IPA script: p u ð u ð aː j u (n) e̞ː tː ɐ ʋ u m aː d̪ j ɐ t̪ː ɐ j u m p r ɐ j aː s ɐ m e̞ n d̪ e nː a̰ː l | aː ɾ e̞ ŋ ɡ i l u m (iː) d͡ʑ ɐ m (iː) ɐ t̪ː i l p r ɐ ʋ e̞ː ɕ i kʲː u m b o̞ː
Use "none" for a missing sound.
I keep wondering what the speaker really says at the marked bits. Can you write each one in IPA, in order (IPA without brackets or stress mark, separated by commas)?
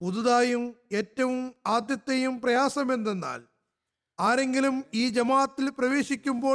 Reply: m, iː, aː